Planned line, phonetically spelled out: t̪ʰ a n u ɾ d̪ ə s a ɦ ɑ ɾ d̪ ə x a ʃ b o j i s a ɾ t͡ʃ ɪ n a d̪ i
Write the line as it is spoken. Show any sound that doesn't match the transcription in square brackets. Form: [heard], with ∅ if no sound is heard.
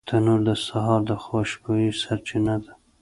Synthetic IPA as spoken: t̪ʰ a n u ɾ d̪ ə s a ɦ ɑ ɾ d̪ ə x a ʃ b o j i s a ɾ t͡ʃ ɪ n a d̪ [a]